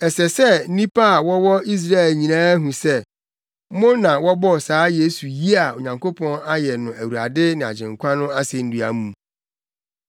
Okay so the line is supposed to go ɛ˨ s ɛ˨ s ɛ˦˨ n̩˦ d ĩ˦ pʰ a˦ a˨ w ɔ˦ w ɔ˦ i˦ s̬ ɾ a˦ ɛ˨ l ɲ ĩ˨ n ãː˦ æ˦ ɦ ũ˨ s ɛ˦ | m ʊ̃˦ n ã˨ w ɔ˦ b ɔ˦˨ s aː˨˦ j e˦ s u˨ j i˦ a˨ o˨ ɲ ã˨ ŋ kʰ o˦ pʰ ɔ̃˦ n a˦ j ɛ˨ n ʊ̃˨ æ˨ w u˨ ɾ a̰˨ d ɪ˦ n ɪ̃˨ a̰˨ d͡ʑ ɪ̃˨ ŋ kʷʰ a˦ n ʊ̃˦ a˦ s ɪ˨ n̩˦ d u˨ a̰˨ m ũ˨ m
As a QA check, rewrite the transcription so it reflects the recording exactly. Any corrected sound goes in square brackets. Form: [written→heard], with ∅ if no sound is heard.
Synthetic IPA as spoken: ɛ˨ s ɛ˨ s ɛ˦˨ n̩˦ [d→n] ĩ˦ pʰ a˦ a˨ w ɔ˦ w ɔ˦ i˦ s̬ ɾ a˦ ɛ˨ l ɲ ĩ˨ n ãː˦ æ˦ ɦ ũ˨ s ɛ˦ | m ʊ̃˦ n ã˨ w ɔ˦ b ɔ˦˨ s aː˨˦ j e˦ s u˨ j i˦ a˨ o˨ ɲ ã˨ ŋ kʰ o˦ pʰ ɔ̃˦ n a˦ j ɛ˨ n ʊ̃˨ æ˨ w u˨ ɾ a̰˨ d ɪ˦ n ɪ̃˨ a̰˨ d͡ʑ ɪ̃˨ ŋ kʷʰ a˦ n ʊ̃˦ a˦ s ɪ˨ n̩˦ d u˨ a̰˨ m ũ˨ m